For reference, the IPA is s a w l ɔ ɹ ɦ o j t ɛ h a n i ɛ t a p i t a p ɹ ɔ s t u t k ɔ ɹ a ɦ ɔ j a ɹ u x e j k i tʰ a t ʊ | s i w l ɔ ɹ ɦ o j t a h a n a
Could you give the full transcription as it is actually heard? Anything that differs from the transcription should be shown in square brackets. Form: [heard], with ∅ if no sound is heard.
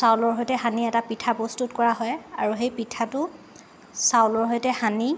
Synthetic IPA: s a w l ɔ ɹ ɦ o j t ɛ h a n i ɛ t a p i [tʰ] a p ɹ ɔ s t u t k ɔ ɹ a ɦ ɔ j a ɹ u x e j [p] i tʰ a t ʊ | s [a] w l ɔ ɹ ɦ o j t [ɛ] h a n [i]